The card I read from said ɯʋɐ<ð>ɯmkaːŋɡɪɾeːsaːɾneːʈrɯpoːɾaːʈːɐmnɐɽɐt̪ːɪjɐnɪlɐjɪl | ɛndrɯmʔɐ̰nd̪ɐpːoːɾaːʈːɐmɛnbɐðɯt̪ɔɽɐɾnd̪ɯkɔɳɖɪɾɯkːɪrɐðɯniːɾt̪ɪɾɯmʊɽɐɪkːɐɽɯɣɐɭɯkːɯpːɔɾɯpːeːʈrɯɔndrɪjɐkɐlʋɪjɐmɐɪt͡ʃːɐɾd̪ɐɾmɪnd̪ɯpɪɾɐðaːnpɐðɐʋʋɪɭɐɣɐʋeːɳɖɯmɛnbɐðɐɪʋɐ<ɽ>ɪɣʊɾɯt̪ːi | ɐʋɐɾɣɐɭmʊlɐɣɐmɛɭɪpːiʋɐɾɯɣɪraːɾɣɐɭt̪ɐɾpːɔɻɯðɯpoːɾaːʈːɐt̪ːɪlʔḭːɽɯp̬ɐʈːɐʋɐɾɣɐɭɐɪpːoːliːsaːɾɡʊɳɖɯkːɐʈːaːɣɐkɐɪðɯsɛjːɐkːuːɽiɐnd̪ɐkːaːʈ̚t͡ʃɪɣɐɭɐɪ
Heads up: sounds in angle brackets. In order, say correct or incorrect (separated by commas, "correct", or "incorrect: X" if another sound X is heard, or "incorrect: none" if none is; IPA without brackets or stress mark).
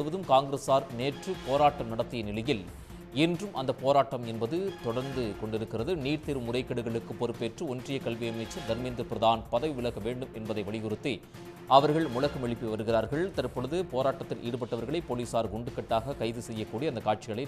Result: correct, incorrect: ɭ